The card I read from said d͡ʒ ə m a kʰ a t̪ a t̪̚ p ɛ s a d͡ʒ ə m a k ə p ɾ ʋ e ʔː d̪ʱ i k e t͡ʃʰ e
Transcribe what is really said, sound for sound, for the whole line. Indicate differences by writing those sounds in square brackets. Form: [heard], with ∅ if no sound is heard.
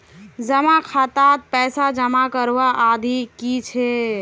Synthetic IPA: d͡ʒ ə m a kʰ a t̪ a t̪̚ p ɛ s a d͡ʒ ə m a k ə [∅] ɾ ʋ [a] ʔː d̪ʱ i k [i] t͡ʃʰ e